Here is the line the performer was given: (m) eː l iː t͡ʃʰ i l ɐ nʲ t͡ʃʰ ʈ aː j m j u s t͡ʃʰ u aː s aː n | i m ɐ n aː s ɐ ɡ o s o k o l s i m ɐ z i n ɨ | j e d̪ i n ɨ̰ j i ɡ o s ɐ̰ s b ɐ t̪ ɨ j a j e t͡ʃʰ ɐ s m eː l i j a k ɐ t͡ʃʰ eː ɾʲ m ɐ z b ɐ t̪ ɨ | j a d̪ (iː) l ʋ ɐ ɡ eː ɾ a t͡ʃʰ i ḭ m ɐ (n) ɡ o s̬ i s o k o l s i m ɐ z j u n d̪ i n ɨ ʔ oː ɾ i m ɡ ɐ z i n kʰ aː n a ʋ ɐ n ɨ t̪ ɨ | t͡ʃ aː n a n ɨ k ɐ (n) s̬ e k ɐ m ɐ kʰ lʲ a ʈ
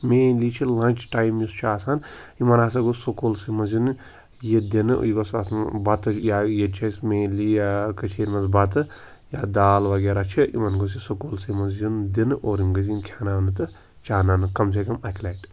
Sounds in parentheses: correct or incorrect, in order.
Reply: correct, incorrect, correct, incorrect

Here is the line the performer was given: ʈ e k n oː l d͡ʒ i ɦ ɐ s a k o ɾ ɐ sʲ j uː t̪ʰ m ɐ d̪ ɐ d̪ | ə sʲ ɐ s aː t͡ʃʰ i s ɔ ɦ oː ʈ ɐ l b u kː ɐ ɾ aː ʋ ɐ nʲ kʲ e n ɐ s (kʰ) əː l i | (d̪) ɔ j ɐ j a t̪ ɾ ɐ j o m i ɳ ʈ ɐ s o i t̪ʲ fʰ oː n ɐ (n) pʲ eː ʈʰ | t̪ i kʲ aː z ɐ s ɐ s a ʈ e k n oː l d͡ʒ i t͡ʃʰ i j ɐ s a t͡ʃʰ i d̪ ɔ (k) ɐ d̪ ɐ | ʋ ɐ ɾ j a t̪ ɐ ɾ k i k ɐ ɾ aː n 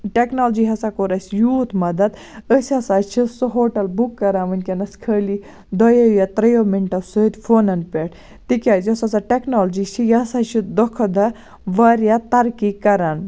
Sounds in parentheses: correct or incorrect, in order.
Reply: correct, correct, correct, incorrect

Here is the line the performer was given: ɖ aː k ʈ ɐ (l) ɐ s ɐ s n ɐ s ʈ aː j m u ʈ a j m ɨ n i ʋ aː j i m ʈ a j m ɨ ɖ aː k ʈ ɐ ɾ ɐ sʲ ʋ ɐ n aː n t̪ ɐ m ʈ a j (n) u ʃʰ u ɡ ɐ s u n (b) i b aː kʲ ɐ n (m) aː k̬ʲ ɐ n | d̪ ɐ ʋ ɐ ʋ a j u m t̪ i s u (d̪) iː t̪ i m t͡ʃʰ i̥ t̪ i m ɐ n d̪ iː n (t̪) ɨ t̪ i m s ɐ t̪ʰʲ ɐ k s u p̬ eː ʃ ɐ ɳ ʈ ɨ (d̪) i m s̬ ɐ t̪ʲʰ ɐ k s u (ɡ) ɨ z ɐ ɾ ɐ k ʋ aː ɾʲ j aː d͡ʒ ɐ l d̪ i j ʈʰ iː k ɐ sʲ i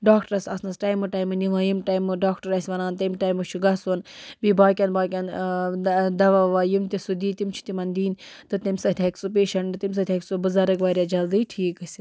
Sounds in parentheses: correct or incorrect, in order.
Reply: incorrect, incorrect, correct, incorrect, correct, correct, incorrect, incorrect

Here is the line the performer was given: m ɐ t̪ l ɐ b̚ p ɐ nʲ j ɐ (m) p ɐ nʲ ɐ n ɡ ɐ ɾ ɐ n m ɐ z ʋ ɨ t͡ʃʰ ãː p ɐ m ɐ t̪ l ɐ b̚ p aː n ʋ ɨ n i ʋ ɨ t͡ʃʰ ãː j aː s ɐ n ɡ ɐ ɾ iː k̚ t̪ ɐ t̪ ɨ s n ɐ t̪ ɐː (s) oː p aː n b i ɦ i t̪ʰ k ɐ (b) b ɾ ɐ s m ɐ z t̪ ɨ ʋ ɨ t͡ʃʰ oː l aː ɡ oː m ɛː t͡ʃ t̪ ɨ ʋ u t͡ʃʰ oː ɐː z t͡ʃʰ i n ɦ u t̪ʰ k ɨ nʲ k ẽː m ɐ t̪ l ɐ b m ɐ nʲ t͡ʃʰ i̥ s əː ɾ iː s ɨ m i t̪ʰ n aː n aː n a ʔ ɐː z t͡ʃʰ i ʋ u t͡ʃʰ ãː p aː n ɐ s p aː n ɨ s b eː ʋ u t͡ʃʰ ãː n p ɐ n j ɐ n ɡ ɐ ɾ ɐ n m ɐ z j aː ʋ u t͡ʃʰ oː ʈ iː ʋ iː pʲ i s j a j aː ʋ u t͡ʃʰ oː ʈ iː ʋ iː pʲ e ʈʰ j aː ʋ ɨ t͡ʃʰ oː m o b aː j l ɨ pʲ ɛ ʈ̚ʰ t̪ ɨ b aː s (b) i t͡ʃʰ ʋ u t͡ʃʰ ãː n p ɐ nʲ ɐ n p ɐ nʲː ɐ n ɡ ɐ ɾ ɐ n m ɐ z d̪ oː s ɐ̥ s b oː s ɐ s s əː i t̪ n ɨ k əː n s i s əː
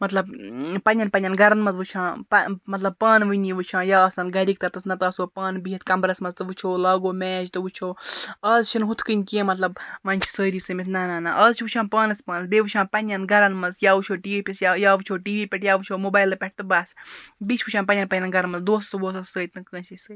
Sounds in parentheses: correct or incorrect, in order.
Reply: incorrect, correct, incorrect, correct

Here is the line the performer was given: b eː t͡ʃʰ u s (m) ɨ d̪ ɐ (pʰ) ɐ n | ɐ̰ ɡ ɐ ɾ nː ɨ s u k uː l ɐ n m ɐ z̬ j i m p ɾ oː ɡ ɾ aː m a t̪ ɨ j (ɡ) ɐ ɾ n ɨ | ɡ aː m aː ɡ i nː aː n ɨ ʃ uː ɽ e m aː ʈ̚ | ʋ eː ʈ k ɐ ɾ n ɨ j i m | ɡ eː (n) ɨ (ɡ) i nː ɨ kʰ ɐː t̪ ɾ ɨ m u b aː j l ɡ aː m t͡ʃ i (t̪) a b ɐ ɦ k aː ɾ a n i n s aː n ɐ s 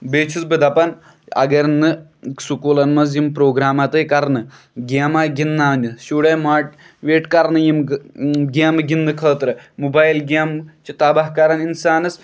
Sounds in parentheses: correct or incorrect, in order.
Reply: incorrect, incorrect, incorrect, incorrect, correct, correct

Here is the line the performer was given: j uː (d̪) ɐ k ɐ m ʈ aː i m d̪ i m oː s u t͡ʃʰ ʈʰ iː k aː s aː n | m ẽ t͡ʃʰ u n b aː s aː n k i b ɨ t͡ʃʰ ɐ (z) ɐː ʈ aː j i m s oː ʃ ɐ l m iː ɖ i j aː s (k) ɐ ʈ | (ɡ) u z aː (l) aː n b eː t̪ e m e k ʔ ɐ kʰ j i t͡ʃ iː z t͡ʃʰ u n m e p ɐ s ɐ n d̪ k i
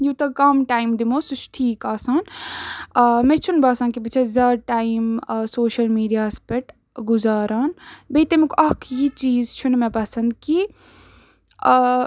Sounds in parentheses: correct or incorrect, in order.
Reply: incorrect, correct, incorrect, correct, incorrect

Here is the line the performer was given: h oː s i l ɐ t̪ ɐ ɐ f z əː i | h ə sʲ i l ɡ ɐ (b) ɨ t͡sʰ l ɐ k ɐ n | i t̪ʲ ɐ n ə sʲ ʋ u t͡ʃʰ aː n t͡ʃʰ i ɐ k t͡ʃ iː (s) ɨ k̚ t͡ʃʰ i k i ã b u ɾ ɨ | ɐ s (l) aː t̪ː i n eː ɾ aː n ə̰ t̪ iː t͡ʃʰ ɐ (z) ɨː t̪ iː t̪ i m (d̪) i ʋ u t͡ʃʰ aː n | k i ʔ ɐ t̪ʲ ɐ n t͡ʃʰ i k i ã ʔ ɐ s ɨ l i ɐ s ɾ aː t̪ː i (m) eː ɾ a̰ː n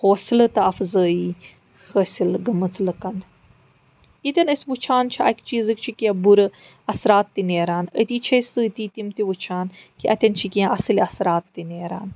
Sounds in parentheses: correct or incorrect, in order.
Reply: incorrect, incorrect, incorrect, incorrect, incorrect, incorrect

